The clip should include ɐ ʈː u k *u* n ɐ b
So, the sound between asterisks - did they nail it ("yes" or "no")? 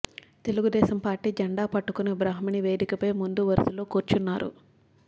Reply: yes